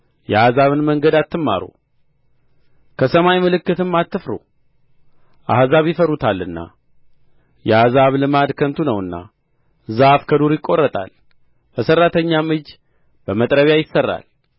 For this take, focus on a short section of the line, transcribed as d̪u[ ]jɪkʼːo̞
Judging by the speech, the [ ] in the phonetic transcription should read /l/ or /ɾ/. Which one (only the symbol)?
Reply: ɾ